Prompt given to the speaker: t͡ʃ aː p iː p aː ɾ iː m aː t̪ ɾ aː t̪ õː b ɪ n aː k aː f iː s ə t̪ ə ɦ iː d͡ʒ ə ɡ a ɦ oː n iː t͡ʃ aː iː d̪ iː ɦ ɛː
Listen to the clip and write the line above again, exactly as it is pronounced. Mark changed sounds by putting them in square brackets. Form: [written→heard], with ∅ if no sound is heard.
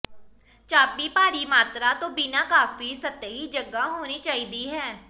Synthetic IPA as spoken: t͡ʃ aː p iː p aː ɾ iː m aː t̪ ɾ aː t̪ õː b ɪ n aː k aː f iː s ə t̪ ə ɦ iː d͡ʒ ə ɡ a ɦ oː n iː t͡ʃ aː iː d̪ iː ɦ ɛː